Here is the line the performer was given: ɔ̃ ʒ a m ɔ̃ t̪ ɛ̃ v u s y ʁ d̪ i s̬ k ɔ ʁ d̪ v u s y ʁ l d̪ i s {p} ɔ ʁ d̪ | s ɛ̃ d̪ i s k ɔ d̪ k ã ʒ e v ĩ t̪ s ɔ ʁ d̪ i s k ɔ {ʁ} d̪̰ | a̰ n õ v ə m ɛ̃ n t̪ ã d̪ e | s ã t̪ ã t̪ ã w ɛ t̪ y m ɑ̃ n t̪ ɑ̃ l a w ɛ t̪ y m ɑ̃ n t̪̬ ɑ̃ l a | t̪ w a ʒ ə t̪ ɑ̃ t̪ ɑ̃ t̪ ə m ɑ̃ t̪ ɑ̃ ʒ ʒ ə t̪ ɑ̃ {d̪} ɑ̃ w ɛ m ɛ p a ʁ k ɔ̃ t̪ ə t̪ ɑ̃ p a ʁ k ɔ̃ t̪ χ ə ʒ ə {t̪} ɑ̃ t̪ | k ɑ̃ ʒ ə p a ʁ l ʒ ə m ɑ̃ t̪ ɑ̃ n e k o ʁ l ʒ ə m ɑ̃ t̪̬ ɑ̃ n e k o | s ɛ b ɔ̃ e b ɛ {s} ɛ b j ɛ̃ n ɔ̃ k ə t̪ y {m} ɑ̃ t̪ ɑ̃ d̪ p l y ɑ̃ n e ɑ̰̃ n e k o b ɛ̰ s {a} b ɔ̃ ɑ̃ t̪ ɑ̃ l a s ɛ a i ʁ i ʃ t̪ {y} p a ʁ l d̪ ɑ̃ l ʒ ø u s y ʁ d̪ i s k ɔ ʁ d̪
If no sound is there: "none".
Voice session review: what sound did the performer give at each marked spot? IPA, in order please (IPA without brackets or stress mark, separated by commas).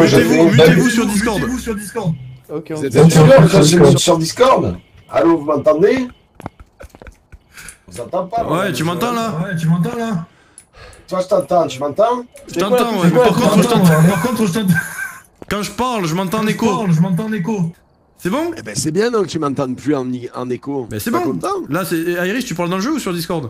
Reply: k, ʁ, t̪, t̪, s, m, ɛ, y